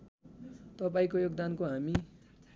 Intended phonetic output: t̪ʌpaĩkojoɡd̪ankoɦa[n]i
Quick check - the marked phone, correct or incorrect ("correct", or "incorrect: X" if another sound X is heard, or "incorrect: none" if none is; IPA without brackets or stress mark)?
incorrect: m